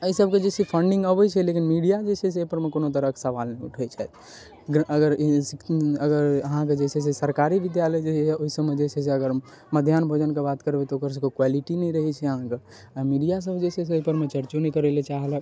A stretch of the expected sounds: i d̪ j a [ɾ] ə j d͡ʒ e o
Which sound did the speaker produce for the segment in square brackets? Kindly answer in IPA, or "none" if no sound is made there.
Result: l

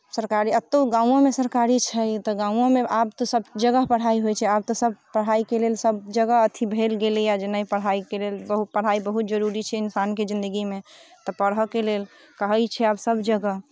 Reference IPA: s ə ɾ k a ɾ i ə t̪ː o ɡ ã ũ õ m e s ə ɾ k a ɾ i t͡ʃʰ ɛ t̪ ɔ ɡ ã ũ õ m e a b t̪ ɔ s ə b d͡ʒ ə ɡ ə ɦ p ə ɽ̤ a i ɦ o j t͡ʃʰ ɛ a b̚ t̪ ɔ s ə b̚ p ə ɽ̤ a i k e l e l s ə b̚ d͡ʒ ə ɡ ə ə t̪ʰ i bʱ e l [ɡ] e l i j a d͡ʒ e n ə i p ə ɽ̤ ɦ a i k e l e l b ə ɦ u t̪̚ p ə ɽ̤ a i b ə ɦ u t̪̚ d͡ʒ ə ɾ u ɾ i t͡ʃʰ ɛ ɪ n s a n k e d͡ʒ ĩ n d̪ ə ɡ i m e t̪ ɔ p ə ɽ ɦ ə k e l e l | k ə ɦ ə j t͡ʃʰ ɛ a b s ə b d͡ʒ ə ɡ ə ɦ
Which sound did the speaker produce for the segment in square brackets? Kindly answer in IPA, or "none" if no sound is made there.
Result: ɡ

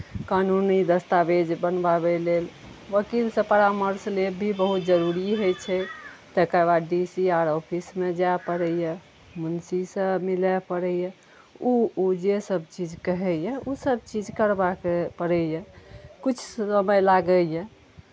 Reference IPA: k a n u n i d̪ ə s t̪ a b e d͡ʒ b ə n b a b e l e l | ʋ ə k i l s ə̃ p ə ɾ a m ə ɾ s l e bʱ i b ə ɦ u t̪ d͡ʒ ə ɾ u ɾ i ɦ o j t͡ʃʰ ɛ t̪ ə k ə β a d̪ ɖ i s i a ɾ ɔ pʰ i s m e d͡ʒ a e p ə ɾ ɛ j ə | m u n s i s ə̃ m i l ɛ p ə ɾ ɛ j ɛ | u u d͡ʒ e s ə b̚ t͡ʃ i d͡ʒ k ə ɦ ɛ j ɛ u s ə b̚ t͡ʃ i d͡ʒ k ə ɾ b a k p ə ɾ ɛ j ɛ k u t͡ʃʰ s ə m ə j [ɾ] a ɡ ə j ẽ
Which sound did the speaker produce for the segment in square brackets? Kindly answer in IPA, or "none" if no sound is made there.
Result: l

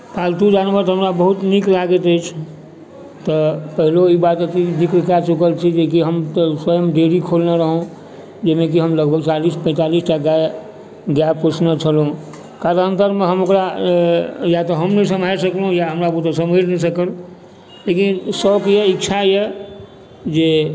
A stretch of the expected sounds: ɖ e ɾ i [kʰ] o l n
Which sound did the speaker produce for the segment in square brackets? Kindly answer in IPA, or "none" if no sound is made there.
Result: kʰ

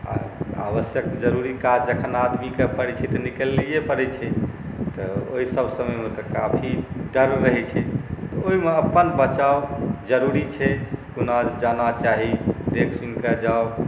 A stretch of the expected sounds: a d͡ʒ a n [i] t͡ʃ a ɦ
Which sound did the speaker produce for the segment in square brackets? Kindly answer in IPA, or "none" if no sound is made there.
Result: a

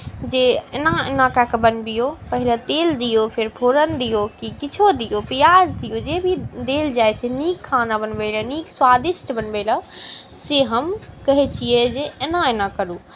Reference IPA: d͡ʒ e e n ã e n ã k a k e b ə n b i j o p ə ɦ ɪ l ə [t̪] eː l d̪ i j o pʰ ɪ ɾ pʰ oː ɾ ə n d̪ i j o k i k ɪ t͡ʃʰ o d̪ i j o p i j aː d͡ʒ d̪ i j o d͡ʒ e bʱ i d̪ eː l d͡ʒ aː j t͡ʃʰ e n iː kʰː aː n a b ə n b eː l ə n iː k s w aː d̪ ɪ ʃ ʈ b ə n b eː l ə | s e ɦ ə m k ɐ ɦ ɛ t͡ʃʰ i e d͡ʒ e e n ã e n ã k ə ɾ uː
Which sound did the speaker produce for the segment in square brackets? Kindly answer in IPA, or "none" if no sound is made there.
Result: t̪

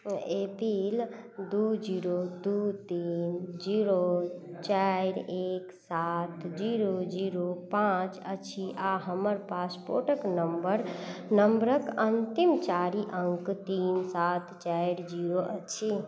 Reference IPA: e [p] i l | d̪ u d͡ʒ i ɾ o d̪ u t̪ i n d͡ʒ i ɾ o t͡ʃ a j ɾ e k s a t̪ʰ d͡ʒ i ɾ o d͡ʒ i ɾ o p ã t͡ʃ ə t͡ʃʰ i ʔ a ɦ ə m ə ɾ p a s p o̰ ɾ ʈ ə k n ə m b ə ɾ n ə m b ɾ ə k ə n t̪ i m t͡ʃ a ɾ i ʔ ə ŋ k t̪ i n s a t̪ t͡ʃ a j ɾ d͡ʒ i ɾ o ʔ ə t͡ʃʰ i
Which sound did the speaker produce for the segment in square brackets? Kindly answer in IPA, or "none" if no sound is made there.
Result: p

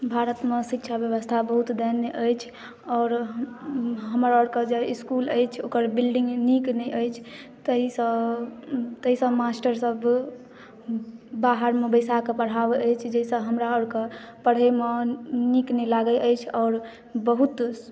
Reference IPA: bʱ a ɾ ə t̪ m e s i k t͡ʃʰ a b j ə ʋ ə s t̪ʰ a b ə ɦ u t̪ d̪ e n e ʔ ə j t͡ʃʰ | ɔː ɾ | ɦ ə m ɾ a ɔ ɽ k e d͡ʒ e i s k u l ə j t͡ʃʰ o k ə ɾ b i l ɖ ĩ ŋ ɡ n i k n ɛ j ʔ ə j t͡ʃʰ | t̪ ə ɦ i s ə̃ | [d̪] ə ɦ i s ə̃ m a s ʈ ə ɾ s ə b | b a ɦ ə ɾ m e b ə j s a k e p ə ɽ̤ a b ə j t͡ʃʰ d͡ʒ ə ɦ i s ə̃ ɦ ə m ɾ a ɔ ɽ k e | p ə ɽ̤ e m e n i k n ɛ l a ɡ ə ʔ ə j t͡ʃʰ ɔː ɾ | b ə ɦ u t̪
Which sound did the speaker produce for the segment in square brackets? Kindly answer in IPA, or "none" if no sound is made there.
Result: t̪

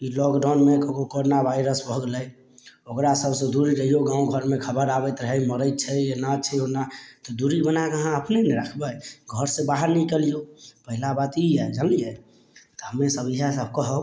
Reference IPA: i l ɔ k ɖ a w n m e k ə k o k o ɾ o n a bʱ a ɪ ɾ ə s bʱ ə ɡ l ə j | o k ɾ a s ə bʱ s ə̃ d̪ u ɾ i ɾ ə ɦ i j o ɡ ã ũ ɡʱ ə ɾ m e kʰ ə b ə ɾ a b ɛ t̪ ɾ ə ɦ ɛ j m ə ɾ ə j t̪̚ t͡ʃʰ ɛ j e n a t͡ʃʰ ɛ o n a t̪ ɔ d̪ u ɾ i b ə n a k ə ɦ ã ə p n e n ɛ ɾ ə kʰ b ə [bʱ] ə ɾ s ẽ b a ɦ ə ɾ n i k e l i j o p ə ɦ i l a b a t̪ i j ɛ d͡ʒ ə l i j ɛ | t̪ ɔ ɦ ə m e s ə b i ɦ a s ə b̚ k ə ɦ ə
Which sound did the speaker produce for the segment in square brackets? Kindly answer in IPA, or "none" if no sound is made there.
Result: ɡʱ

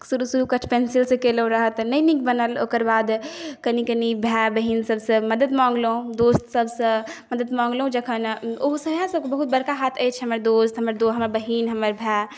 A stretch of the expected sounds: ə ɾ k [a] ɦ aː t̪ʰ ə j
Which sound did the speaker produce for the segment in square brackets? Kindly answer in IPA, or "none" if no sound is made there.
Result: a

